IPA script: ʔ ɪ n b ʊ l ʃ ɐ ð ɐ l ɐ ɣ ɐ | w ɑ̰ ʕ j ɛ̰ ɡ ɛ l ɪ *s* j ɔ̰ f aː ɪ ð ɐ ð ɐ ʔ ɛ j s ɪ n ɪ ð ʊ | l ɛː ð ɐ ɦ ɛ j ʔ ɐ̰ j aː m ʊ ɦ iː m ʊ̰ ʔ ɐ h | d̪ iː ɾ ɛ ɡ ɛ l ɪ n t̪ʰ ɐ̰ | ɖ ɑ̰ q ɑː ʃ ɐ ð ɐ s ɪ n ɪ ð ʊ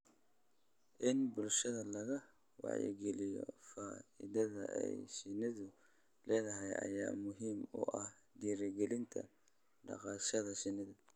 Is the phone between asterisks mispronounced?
yes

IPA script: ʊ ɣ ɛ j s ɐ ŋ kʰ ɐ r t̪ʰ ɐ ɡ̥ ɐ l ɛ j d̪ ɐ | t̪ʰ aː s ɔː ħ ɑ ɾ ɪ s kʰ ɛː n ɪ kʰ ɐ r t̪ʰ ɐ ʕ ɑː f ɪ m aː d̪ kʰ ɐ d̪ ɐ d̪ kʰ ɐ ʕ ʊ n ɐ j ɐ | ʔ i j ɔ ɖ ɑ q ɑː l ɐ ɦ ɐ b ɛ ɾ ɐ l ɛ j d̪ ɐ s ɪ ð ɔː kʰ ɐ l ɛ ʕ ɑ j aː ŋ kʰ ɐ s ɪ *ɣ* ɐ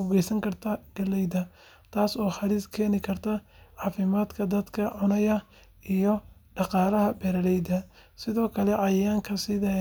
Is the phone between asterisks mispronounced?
yes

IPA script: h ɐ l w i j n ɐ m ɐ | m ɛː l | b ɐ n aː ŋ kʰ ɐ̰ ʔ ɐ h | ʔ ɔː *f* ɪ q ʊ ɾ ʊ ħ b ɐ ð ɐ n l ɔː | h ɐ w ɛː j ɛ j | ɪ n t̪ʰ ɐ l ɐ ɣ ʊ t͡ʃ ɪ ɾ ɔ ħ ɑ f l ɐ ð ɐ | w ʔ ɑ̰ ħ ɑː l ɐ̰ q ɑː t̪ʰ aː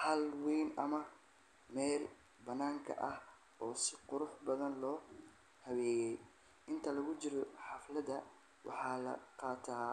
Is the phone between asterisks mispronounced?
yes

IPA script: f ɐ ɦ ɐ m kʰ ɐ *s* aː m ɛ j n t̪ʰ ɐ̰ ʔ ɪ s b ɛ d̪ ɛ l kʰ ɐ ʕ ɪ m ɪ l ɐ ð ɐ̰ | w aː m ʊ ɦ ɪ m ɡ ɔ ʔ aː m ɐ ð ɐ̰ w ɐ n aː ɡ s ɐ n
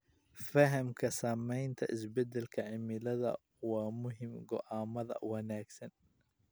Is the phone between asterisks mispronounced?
no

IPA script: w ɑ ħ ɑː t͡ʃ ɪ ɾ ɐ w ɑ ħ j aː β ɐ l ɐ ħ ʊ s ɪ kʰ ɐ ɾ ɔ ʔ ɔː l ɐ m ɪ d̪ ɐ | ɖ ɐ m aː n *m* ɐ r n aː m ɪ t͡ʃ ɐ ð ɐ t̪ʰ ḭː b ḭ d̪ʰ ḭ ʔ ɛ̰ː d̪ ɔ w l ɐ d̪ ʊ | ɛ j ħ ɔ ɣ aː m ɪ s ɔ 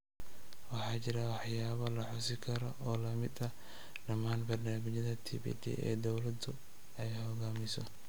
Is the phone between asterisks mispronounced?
yes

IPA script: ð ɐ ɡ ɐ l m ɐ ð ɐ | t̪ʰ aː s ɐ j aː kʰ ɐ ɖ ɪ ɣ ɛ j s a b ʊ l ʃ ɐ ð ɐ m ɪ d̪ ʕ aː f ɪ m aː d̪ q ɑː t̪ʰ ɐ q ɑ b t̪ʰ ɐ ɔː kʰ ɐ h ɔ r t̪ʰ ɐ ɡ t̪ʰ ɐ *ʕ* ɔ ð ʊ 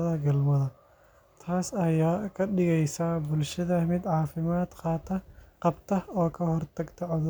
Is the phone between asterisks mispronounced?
no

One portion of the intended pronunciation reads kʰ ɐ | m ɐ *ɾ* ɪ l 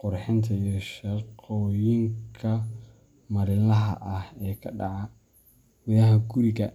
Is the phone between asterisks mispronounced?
no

